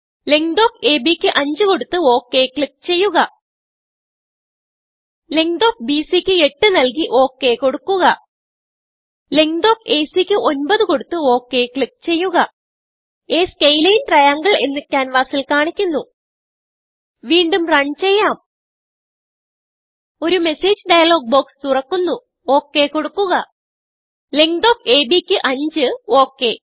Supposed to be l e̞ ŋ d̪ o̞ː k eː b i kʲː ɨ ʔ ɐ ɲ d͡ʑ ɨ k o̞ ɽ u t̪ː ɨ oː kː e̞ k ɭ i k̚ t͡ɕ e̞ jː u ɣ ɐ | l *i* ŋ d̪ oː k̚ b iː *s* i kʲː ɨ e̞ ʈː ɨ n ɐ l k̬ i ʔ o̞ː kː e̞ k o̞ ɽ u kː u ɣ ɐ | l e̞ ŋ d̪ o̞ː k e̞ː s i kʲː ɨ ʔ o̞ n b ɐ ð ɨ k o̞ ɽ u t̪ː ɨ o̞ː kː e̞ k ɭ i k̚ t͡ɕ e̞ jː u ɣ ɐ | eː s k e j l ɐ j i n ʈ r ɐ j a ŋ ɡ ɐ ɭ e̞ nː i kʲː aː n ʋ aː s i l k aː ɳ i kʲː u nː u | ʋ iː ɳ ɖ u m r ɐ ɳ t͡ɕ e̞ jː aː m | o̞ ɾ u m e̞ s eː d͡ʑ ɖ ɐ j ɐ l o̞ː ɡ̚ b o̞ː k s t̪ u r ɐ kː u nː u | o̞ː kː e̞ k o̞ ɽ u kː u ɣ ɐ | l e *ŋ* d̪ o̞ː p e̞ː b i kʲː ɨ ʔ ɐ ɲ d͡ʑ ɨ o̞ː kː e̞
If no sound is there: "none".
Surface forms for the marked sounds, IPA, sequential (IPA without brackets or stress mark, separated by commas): e, s, ŋ